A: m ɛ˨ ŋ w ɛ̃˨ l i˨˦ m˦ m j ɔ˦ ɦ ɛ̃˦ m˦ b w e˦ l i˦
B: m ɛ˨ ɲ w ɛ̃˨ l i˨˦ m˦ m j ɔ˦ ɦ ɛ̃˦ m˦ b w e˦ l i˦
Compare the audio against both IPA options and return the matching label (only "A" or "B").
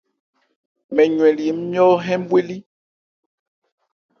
B